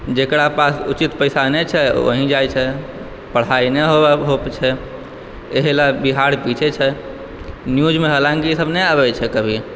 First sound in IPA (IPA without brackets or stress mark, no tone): d͡ʒ